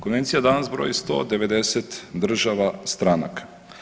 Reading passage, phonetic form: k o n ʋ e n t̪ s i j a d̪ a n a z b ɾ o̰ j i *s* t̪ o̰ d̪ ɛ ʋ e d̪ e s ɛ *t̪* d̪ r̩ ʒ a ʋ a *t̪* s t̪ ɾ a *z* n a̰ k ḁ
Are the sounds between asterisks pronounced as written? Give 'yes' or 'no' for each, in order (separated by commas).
yes, yes, no, no